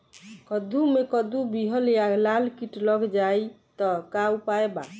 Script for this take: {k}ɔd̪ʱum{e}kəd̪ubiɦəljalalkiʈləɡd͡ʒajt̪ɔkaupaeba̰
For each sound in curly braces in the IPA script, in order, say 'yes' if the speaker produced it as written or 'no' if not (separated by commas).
yes, yes